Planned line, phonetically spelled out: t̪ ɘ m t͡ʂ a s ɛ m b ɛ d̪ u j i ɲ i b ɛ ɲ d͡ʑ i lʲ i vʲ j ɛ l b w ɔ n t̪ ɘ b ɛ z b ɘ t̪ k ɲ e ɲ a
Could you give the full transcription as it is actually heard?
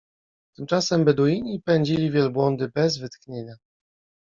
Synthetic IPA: t̪ ɘ m t͡ʂ a s ɛ m b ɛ d̪ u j i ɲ i p ɛ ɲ d͡ʑ i lʲ i vʲ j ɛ l b w ɔ n d̪ ɘ b ɛ z v ɘ t̪ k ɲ e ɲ a